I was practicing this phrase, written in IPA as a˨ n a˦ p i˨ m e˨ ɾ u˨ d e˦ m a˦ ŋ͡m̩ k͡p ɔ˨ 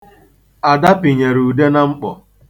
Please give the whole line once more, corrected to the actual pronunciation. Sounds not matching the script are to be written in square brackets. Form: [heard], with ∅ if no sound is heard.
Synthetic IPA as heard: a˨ [d] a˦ p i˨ [ɲ] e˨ ɾ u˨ d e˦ [n] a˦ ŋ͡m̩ k͡p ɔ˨